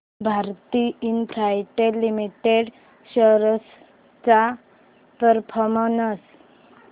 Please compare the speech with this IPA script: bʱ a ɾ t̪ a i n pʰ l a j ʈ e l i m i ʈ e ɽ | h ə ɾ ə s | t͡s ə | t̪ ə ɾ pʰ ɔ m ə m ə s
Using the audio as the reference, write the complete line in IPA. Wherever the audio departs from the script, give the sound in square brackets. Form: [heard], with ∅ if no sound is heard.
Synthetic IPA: bʱ a ɾ t̪ [i] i n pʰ [ɾ] a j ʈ e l i m i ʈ e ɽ | [ɕ] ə ɾ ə s | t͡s [a] | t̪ ə ɾ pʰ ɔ m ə [n] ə s